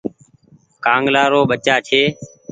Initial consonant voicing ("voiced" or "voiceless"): voiceless